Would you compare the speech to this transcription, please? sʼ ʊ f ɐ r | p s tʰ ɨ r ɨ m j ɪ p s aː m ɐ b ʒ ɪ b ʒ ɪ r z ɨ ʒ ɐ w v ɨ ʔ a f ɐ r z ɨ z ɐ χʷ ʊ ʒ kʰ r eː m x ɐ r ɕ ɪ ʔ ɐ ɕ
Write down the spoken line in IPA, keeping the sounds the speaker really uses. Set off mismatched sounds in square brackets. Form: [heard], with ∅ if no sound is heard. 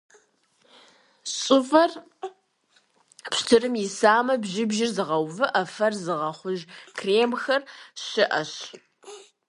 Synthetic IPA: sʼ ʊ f ɐ r | p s tʰ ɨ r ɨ m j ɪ [∅] s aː m ɐ b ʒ ɪ b ʒ ɪ r z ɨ [ʁ] ɐ w v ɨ ʔ [ɐ] f ɐ r z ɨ [ʁ] ɐ χʷ ʊ ʒ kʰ r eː m x ɐ r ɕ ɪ ʔ ɐ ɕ